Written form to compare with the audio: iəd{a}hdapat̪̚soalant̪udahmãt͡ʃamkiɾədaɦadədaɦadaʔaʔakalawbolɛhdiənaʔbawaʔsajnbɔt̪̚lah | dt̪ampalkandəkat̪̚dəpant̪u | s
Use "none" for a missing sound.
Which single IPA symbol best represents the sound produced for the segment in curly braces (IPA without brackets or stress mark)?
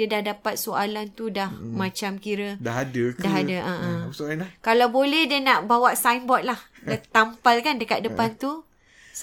a